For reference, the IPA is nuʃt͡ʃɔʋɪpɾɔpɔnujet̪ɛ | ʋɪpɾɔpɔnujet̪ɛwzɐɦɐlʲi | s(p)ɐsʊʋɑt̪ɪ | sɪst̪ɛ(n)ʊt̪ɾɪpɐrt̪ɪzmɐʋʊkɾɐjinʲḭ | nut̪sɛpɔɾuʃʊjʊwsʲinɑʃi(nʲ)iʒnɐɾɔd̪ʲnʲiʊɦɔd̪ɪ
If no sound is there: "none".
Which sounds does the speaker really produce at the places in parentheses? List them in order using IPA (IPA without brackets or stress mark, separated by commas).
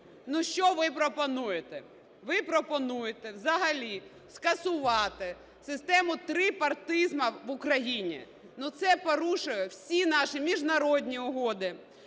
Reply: k, m, mʲ